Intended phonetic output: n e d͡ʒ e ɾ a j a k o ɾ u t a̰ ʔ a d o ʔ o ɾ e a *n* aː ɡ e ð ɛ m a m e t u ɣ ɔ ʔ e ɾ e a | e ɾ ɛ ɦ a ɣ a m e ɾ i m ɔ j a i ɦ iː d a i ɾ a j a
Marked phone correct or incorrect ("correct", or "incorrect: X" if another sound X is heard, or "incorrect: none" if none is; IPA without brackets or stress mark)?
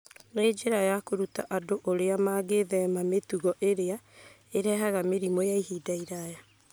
incorrect: m